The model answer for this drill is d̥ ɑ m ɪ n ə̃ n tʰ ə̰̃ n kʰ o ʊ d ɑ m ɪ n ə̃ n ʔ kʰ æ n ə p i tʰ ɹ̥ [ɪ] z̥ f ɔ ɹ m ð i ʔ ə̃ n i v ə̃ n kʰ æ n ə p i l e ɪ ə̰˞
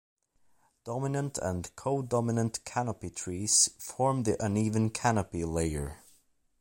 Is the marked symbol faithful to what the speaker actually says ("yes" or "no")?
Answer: no